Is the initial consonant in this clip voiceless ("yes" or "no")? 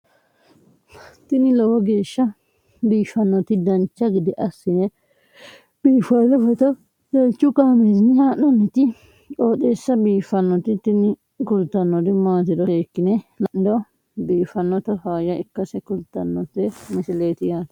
yes